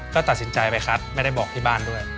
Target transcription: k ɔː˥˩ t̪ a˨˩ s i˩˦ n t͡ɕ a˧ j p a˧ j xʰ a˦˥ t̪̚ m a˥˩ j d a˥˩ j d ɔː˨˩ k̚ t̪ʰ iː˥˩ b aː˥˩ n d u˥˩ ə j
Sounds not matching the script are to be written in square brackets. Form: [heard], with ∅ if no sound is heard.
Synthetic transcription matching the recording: k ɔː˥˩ t̪ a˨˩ s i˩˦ n t͡ɕ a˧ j p a˧ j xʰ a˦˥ t̪̚ m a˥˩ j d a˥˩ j [b] ɔː˨˩ k̚ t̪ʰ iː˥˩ b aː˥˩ n d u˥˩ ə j